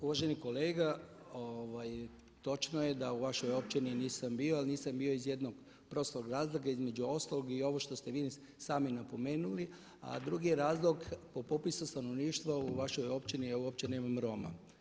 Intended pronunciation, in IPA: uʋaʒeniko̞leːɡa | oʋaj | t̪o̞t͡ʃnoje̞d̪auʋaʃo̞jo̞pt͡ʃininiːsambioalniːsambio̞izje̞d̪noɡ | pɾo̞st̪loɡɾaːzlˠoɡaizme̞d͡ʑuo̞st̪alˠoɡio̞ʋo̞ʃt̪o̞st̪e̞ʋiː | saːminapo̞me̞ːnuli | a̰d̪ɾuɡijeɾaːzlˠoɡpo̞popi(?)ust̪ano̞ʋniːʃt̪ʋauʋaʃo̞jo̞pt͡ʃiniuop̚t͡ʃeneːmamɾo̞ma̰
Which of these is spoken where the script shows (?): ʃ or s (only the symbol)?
s